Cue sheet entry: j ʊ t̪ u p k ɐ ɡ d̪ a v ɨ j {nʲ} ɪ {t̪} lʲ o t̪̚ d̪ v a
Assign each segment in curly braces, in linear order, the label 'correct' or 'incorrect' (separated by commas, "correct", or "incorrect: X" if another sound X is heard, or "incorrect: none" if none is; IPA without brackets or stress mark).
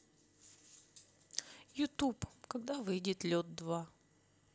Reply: incorrect: dʲ, correct